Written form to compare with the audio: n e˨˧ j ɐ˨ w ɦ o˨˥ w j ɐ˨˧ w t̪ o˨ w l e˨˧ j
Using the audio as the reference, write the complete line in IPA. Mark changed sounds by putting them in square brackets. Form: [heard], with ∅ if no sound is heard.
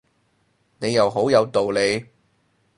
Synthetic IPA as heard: n e˨˧ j ɐ˨ w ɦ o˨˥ w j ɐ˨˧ w t̪ o˨ w l e˨˧ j